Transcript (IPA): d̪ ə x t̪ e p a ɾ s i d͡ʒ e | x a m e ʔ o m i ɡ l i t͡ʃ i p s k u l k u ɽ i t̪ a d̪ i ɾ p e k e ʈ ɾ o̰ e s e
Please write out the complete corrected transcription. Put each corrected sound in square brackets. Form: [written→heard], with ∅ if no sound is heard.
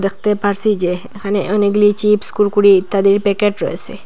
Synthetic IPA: d̪ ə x t̪ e p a ɾ s i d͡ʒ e | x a [m→n] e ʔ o [m→n] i ɡ l i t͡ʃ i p s k u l k u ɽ i t̪ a d̪ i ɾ p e k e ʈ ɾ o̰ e s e